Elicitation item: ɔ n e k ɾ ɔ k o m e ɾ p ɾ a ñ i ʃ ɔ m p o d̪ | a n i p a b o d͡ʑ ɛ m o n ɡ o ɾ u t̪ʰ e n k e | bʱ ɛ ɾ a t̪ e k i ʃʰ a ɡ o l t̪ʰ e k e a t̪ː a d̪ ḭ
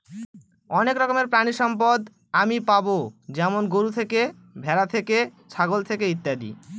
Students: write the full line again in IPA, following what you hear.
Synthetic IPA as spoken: ɔ n e k ɾ ɔ k o m e ɾ p ɾ a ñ i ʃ ɔ m p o d̪ | a m i p a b o d͡ʑ ɛ m o n ɡ o ɾ u t̪ʰ e k e | bʱ ɛ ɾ a t̪ʰ e k e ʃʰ a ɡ o l t̪ʰ e k e i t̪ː a d̪ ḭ